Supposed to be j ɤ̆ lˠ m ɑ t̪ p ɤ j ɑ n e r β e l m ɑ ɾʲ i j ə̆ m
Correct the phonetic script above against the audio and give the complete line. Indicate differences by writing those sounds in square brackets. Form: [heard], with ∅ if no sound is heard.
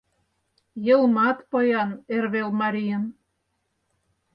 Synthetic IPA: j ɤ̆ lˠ m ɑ t̪ p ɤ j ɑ n e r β e l m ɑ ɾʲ i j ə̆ [n]